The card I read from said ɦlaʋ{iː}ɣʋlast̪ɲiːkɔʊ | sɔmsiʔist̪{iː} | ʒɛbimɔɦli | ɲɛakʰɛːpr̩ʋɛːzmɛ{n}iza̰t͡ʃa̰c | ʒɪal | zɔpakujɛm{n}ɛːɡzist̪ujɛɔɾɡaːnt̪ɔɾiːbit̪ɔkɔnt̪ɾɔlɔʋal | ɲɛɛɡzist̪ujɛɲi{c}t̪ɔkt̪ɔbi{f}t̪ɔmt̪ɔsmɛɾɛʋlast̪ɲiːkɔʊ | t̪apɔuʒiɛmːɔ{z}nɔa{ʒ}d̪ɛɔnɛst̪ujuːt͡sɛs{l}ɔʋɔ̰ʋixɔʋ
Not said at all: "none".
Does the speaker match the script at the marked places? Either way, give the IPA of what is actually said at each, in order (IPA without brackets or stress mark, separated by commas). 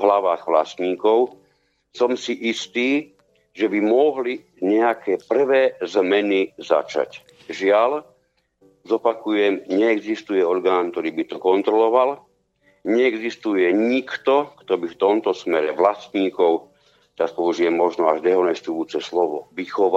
aː, iː, n, ɲ, k, f, ʒ, ʒ, l